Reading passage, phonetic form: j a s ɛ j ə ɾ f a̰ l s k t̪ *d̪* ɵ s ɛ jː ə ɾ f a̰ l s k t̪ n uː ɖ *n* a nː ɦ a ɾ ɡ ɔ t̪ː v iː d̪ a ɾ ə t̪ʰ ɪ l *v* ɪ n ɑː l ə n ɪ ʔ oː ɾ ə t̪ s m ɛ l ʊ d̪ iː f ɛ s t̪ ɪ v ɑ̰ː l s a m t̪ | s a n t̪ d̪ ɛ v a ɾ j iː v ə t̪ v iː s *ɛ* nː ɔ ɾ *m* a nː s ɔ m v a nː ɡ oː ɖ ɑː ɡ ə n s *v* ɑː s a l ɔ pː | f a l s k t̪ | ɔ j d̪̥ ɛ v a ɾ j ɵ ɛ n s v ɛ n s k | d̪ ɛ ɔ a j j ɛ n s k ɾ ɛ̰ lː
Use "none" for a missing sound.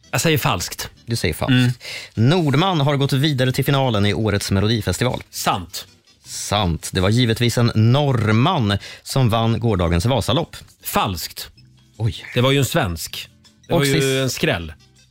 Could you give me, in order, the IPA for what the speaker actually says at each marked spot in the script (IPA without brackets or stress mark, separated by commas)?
d̪, m, f, ɛ, m, v